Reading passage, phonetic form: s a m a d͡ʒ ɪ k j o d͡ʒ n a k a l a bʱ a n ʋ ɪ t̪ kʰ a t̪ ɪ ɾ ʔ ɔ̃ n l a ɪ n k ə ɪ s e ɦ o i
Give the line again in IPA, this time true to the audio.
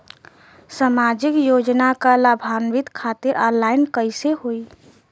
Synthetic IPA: s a m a d͡ʒ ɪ k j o d͡ʒ n a k a l a bʱ a n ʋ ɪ t̪ kʰ a t̪ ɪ ɾ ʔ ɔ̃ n l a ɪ n k ə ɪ s e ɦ o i